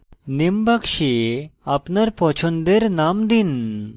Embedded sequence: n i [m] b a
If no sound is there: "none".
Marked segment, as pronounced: m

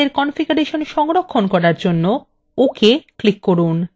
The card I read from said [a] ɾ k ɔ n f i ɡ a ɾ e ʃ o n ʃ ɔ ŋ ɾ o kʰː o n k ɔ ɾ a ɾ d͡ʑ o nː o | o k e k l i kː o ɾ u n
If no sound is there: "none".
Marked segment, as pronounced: e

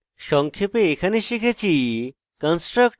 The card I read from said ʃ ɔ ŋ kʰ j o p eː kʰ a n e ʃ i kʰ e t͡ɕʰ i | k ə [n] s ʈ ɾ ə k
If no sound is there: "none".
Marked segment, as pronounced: n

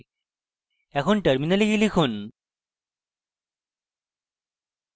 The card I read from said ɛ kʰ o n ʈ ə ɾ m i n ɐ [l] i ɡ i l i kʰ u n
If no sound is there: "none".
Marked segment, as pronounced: l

